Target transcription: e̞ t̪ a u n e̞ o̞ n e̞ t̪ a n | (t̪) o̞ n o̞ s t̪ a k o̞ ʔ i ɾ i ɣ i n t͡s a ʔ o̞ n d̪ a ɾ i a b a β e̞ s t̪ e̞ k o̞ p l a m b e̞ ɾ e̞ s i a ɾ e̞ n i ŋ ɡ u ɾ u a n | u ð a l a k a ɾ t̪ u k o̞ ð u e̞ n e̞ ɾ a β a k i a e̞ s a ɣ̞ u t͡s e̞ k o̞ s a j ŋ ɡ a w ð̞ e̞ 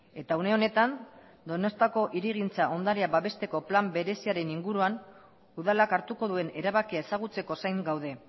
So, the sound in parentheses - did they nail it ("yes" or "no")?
no